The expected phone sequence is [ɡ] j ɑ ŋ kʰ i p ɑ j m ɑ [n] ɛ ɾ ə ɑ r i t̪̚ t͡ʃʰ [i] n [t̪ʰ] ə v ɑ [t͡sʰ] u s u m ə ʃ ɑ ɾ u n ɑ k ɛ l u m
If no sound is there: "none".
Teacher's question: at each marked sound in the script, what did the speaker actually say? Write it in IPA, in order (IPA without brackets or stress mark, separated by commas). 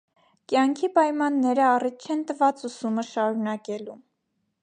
k, nː, ɛ, t̪, t͡s